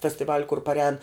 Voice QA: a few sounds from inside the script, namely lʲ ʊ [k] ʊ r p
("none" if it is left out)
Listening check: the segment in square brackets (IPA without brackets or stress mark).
k